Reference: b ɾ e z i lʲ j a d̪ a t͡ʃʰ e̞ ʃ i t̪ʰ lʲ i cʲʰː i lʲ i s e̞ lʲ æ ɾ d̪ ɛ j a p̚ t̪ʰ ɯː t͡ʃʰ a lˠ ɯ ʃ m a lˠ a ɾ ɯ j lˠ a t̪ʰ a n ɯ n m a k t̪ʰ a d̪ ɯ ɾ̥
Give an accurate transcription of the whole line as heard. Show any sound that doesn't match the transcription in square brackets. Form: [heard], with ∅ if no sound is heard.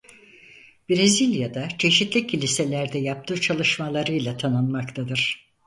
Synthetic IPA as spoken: b ɾ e z i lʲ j a d̪ a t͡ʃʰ e̞ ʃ i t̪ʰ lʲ i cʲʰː i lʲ i s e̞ lʲ æ ɾ d̪ ɛ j a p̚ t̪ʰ ɯː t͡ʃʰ a lˠ ɯ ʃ m a lˠ a ɾ ɯ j lˠ a t̪ʰ a n ɯ n m a k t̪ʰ a d̪ ɯ ɾ̥